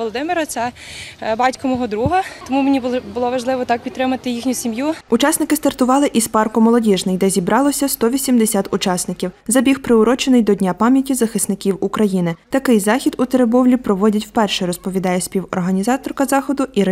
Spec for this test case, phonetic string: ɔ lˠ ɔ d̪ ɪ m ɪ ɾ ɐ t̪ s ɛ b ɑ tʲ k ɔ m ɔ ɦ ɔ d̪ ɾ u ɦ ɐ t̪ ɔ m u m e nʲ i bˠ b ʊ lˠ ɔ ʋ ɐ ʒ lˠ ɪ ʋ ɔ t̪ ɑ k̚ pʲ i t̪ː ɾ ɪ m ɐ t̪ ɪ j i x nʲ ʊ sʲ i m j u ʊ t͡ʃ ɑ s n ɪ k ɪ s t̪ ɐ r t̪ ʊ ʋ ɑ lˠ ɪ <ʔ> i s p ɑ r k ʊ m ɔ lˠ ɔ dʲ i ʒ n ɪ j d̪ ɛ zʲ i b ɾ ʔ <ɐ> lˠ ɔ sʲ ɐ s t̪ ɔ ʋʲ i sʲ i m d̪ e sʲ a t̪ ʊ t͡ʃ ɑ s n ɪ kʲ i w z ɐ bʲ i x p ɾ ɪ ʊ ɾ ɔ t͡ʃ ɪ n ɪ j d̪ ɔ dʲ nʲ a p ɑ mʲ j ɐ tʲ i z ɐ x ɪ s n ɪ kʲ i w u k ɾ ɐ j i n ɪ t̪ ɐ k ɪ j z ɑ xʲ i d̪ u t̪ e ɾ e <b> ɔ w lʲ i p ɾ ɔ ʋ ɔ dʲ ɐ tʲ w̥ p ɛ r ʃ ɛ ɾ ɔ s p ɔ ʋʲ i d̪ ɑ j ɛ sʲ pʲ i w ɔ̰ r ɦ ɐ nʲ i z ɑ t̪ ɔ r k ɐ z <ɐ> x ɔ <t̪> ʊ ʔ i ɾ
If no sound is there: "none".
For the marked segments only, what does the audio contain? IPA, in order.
ʔ, ɑ, b, ɑ, d̪

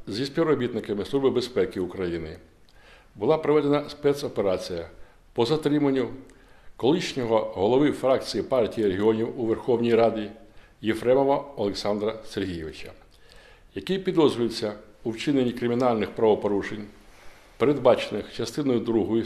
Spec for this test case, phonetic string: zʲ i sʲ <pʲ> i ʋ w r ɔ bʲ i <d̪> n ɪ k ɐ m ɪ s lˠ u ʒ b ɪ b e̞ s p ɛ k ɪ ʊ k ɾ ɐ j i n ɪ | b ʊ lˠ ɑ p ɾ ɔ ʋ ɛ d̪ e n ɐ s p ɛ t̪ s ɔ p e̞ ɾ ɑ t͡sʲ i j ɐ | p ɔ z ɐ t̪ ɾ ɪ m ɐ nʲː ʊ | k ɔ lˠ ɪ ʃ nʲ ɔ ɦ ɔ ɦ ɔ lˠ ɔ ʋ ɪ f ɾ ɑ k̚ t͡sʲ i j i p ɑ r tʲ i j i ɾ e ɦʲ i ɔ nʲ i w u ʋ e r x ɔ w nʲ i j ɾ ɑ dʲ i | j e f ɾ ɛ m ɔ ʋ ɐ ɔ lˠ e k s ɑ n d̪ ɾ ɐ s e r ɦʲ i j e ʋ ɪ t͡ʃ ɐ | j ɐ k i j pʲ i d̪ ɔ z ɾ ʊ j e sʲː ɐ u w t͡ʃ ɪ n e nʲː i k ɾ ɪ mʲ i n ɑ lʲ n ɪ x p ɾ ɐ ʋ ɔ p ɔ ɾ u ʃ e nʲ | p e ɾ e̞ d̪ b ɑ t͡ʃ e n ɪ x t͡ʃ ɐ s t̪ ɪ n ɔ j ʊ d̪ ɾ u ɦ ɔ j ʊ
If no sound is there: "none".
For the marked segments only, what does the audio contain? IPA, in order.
pʲ, t̪

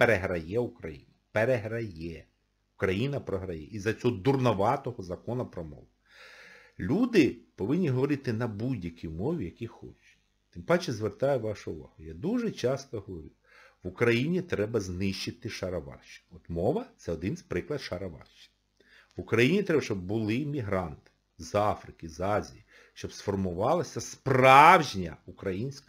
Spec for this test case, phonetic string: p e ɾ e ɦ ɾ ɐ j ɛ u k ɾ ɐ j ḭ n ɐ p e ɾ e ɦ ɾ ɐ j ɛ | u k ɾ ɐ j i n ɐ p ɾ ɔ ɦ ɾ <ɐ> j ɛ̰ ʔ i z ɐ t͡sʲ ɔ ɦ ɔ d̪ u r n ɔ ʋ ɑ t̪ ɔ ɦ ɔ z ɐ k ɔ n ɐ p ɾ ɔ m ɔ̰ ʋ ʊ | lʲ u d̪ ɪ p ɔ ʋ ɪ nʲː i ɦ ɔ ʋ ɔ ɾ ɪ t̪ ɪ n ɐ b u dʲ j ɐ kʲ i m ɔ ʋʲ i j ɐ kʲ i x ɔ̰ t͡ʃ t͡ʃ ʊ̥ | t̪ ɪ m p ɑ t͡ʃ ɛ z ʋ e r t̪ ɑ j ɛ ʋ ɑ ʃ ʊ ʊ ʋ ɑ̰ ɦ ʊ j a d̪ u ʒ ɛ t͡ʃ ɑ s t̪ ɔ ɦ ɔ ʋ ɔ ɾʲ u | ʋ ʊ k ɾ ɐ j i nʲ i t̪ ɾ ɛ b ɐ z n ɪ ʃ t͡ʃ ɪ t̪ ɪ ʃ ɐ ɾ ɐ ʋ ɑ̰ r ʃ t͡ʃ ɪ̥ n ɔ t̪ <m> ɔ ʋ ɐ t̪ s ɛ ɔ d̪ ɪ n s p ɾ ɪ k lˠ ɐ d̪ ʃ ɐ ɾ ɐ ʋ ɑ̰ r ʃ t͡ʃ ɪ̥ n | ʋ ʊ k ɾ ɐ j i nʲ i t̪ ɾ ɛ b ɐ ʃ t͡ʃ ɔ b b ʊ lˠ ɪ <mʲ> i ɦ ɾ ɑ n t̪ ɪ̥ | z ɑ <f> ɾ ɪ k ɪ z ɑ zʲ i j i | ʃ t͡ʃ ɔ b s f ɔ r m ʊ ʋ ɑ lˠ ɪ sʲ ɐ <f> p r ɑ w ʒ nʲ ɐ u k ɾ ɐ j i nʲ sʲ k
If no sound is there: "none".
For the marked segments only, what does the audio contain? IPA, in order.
ɐ, m, mʲ, f, s

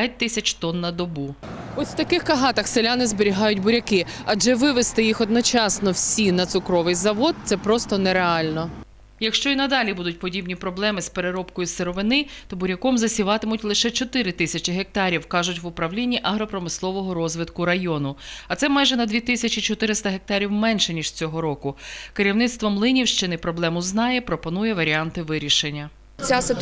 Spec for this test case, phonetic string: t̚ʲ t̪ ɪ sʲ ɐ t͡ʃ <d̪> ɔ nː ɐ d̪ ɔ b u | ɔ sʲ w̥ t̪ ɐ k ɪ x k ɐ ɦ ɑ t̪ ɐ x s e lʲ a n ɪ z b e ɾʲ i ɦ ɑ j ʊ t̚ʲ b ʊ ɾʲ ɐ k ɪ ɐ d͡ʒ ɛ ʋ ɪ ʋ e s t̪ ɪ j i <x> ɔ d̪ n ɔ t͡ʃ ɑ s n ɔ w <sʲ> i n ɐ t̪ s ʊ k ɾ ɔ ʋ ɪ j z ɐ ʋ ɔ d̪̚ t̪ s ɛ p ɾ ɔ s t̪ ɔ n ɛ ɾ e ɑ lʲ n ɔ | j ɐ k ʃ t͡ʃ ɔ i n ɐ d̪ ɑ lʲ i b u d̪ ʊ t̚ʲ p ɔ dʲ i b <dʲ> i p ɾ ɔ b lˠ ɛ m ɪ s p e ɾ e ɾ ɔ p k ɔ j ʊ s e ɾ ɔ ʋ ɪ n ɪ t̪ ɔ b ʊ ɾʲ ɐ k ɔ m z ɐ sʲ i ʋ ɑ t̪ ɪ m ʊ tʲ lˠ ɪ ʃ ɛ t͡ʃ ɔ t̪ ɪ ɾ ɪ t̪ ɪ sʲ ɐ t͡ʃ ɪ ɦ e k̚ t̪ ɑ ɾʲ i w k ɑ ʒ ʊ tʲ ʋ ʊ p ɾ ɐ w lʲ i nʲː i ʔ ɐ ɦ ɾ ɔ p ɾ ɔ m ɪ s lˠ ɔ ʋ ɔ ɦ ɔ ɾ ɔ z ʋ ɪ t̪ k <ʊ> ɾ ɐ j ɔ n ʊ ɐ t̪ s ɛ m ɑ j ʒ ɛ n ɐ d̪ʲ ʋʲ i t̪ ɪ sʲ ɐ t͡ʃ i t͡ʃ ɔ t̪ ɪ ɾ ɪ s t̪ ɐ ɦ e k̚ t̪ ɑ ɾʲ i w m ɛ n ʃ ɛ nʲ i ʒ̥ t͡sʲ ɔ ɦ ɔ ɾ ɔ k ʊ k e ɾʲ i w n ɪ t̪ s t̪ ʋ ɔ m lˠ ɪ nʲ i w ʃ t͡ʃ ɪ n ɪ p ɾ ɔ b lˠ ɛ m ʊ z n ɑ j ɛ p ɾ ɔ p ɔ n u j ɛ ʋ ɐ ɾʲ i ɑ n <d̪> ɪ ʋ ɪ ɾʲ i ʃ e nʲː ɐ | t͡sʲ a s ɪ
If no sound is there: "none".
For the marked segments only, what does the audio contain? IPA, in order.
t̪, x, sʲ, nʲ, ʊ, t̪

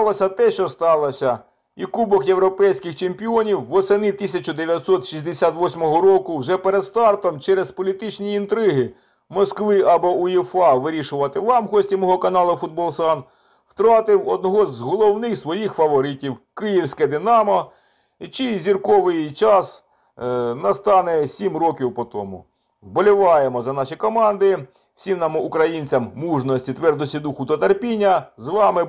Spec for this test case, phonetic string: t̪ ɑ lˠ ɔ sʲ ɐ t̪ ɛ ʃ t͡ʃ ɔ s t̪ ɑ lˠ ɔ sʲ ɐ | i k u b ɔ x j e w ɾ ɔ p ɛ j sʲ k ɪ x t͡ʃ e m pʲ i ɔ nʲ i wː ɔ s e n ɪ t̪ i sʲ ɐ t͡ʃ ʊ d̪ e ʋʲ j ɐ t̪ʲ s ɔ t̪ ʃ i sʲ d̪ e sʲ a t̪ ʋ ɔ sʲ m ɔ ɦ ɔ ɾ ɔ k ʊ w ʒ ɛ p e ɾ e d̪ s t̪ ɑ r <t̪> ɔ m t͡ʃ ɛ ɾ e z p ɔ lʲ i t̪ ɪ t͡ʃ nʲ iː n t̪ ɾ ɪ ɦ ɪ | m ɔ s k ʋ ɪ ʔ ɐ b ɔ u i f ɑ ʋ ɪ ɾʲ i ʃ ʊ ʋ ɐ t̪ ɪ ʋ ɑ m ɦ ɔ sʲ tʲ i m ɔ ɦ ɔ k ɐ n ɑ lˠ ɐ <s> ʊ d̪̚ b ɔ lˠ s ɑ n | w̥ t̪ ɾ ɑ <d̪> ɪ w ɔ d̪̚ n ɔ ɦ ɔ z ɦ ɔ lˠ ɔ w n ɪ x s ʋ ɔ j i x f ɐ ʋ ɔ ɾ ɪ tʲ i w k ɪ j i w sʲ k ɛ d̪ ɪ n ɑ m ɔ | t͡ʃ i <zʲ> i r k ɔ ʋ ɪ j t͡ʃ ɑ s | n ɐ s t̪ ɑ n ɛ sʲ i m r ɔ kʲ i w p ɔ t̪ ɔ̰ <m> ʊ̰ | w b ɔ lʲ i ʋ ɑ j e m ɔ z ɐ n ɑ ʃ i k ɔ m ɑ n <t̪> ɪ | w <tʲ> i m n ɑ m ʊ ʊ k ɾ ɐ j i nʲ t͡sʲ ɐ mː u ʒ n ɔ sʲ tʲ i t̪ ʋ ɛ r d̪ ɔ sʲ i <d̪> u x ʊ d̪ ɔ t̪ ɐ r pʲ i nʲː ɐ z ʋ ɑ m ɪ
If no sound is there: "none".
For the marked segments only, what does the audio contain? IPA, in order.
t̪, f, t̪, zʲ, m, d̪, sʲ, d̪

